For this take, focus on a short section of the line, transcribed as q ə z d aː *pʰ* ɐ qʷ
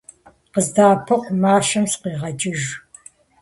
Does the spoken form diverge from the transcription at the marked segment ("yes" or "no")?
no